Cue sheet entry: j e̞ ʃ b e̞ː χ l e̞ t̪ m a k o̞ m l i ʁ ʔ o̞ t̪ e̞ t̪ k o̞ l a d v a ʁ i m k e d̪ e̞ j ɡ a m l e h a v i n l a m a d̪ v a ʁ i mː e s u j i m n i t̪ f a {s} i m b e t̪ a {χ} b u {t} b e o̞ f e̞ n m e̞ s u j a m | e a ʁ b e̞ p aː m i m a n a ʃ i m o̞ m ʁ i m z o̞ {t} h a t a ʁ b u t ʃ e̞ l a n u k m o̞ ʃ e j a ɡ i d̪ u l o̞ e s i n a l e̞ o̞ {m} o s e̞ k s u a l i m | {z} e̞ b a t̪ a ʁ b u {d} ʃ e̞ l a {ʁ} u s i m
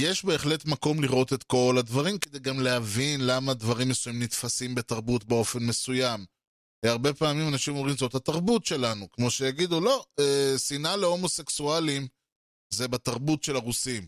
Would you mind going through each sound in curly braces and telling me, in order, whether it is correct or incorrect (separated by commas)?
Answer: correct, incorrect, correct, correct, correct, correct, incorrect, correct